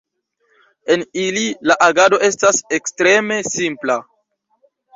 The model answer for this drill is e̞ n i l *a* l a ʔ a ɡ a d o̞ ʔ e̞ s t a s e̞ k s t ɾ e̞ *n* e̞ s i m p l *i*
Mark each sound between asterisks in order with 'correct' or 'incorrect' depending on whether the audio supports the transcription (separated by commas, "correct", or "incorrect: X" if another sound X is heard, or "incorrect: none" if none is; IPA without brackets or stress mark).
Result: incorrect: i, incorrect: m, incorrect: a